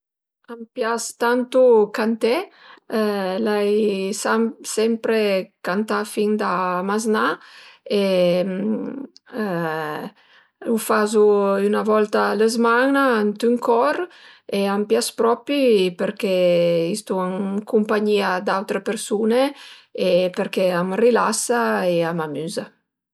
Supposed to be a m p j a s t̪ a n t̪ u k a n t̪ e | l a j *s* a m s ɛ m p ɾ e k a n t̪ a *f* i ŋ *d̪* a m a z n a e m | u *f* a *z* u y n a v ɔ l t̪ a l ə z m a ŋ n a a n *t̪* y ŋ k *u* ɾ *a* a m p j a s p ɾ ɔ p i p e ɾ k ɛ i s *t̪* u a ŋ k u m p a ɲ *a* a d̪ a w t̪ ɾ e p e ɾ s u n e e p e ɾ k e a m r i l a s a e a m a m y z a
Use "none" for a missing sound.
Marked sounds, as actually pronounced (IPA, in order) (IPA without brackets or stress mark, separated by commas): s, f, d̪, f, z, t̪, ɔ, e, t̪, i